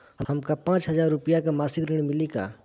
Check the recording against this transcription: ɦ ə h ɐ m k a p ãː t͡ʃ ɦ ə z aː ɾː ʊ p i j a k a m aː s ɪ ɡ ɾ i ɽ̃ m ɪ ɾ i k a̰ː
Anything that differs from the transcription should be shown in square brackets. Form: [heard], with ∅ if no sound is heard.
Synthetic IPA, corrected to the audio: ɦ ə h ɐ m k a p ãː t͡ʃ ɦ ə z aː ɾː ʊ p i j a k a m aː s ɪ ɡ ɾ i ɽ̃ m ɪ [l] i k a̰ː